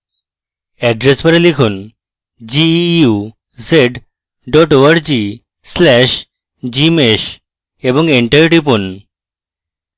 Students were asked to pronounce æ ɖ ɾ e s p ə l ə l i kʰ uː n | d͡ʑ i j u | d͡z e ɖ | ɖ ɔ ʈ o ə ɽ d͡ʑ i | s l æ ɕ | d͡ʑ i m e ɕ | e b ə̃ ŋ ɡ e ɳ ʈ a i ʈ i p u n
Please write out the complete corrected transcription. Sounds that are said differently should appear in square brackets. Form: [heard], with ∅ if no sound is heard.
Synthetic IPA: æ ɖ ɾ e s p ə [ɾ] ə l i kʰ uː n | d͡ʑ i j u | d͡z e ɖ | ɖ ɔ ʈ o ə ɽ d͡ʑ i | s l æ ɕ | d͡ʑ i m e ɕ | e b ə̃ ŋ ɡ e ɳ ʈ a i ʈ i p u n